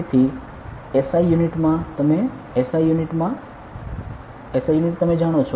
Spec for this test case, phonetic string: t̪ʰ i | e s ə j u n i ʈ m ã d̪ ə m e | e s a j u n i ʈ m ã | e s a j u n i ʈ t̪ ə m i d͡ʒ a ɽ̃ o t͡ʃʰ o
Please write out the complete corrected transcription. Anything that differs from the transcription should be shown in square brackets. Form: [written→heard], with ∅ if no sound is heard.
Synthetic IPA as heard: t̪ʰ i | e s [ə→a] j u n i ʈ m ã [d̪→t̪] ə m e | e s a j u n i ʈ m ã | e s a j u n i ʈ t̪ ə m [i→e] d͡ʒ a ɽ̃ o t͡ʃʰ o